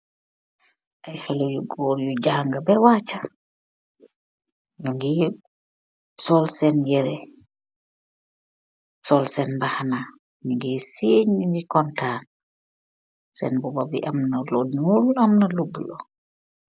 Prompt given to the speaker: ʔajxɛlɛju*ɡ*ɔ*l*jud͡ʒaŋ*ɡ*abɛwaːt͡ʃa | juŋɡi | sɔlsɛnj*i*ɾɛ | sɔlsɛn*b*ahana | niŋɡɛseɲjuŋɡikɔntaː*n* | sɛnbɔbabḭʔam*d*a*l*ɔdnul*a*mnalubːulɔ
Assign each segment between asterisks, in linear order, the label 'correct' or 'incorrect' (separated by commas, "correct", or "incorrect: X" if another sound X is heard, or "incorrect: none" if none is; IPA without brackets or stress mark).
correct, incorrect: ɾ, correct, incorrect: ɛ, correct, correct, incorrect: n, correct, correct